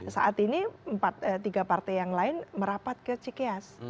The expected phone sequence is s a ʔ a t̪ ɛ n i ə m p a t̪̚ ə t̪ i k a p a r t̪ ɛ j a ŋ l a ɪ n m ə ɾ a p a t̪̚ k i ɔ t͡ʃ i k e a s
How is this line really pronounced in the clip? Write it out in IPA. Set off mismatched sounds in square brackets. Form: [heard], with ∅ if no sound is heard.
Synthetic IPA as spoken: s a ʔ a t̪ [i] n i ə m p a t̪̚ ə t̪ i [ɡ] a p a r t̪ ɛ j a ŋ l a ɪ n m ə ɾ a p a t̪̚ k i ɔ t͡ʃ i k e a s